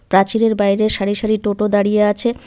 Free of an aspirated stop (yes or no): no